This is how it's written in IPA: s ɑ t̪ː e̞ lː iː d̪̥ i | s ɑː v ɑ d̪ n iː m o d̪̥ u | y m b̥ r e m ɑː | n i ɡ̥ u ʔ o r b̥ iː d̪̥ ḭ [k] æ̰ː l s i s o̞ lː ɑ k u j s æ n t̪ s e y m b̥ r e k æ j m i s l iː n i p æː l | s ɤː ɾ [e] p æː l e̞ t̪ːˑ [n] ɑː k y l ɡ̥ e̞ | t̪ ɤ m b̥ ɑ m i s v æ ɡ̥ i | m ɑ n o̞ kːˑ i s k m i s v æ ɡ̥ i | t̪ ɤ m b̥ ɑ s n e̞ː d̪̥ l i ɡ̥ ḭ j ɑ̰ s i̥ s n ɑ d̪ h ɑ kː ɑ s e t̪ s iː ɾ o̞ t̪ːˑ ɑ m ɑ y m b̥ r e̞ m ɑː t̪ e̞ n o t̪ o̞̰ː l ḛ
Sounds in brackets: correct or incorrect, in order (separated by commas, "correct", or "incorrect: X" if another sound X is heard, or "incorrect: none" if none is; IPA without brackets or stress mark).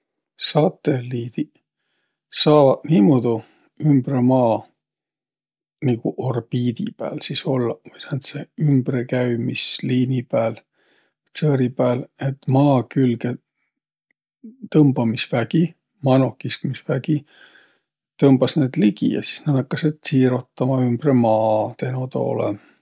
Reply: incorrect: p, incorrect: i, incorrect: m